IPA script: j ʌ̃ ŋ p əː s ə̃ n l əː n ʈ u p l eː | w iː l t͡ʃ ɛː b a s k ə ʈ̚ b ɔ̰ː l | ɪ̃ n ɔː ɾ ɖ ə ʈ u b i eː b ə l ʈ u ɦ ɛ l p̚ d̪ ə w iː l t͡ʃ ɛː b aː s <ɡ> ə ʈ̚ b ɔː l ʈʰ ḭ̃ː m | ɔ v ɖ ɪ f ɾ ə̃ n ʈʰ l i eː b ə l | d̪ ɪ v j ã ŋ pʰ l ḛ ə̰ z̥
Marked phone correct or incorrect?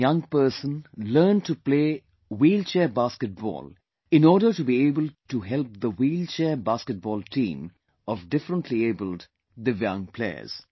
incorrect